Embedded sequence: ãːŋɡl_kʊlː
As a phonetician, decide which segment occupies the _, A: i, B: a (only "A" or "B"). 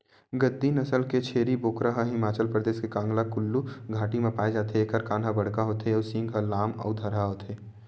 B